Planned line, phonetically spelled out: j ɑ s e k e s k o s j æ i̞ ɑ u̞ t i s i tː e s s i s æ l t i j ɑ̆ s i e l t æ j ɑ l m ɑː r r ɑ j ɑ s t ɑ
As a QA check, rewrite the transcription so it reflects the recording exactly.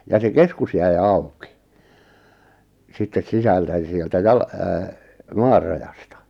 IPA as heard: j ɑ s e k e s k u s j æ i̞ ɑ u̞ k i s i tː e s s i s æ l t æ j ɑ̆ s i e l t æ j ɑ l m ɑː r r ɑ j ɑ s t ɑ